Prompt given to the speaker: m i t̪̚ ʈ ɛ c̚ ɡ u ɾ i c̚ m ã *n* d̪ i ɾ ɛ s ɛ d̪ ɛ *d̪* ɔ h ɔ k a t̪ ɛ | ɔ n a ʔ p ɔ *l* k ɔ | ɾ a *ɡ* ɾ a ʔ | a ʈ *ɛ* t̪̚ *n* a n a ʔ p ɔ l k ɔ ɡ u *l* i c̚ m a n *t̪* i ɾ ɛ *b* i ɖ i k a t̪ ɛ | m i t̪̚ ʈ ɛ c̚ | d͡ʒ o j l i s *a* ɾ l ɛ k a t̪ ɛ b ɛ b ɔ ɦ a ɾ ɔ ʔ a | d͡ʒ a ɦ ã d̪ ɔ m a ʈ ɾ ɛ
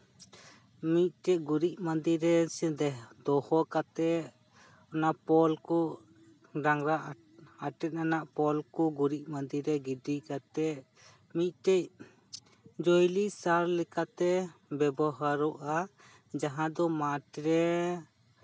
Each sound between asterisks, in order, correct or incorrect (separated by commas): correct, correct, correct, incorrect, correct, correct, incorrect, incorrect, incorrect, correct